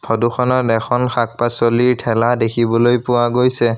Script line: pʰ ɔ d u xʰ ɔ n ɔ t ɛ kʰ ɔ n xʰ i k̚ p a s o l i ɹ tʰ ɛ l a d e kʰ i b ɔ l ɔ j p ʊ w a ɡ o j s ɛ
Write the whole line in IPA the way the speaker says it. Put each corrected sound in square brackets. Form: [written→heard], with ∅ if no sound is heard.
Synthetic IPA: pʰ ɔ d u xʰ ɔ n ɔ t ɛ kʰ ɔ n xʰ [i→a] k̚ p a s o l i ɹ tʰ ɛ l a d e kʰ i b ɔ l [ɔ→o] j p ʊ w a ɡ o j s ɛ